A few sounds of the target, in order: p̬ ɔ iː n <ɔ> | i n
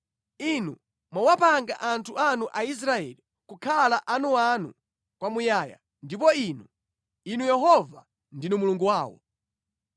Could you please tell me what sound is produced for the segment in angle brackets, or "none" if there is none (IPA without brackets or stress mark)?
u